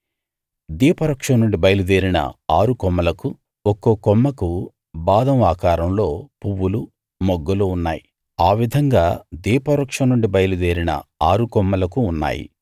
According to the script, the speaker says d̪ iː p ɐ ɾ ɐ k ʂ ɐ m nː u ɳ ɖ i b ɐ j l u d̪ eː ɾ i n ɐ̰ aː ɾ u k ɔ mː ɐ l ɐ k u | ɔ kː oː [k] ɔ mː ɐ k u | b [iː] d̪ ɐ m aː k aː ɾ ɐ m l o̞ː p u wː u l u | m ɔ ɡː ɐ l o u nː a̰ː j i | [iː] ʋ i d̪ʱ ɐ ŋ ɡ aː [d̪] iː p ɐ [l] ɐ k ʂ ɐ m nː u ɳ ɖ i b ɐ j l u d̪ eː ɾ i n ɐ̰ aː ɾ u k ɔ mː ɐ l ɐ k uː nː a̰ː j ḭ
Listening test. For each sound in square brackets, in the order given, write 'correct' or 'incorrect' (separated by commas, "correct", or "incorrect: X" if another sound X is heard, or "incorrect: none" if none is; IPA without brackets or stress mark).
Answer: correct, incorrect: aː, incorrect: aː, correct, incorrect: ɾ